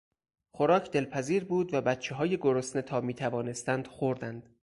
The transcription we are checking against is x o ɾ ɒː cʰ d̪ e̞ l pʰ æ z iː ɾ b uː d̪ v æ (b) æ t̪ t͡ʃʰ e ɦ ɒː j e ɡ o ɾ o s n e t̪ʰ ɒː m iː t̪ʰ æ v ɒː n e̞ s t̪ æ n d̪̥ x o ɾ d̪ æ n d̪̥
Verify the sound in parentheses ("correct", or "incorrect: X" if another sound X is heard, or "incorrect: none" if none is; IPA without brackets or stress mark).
correct